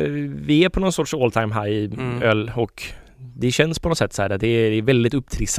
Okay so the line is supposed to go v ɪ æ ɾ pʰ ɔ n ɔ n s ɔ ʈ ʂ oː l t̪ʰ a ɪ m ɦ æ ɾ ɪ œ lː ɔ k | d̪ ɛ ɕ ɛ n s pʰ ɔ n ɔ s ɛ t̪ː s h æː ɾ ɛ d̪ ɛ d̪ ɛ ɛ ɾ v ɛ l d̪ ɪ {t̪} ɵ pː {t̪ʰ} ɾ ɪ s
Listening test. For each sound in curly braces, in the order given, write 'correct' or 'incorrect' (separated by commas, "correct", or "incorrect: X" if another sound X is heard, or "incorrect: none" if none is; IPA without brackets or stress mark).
correct, correct